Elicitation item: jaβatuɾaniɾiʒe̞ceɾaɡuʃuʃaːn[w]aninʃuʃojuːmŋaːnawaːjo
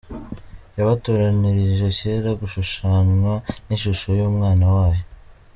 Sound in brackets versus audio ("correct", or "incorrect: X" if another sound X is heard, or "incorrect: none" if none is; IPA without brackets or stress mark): correct